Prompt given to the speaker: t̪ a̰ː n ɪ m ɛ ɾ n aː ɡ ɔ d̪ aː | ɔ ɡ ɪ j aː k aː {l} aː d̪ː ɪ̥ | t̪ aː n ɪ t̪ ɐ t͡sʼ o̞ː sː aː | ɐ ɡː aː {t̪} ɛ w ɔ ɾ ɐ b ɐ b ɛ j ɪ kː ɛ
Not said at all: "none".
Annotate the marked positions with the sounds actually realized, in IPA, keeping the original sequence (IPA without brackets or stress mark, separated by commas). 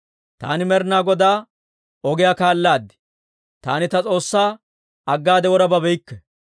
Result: lː, d̪